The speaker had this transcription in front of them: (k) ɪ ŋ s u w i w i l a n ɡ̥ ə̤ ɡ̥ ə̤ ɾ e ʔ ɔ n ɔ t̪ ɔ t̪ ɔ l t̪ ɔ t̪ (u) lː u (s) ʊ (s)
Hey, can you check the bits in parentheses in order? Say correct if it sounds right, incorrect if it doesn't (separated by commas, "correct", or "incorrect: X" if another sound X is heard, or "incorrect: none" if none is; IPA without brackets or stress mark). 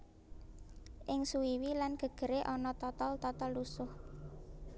incorrect: ʔ, incorrect: ɔ, correct, incorrect: h